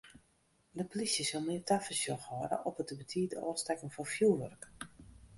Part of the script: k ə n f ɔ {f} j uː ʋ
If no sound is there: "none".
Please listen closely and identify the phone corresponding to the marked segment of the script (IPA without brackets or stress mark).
f